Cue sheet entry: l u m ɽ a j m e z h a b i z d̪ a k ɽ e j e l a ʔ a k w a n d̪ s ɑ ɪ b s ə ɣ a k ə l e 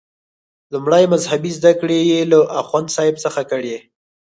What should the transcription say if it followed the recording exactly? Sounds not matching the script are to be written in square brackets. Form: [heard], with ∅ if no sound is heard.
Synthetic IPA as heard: l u m ɽ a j m [a] z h a b i z d̪ a k ɽ e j e l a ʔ a [x] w a n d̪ s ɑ ɪ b s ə [x] a k ə [ɽ] e

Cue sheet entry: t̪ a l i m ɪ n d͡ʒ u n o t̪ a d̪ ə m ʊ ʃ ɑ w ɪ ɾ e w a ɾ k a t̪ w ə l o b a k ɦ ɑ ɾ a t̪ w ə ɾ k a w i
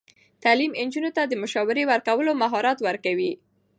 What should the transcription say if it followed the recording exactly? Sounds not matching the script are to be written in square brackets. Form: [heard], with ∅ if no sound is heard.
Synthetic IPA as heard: t̪ a l i m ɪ n d͡ʒ u n o t̪ a d̪ ə m ʊ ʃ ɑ w ɪ ɾ e w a ɾ k a [∅] w ə l o [m] a [∅] ɦ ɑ ɾ [ɑ] t̪ w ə ɾ k a w i

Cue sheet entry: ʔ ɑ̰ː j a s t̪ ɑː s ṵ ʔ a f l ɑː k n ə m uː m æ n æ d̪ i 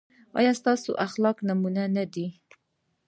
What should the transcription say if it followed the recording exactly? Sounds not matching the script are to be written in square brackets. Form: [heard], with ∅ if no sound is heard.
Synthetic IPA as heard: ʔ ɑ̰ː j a s t̪ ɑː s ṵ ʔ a [x] l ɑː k n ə m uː [n] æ n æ d̪ i

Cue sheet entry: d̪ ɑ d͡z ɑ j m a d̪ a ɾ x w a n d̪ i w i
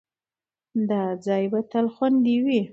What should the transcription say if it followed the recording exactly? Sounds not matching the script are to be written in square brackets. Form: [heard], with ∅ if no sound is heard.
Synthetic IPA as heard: d̪ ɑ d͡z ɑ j [b] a [t̪] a [l] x w a n d̪ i w i

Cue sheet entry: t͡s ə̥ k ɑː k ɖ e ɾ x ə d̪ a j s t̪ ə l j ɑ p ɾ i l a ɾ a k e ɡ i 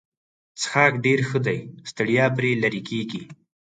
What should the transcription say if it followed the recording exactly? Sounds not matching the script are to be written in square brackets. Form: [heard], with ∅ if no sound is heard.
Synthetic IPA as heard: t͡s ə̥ [x] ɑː k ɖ e ɾ x ə d̪ a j s t̪ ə [ɽ] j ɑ p ɾ [e] l a ɾ [i] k e ɡ i

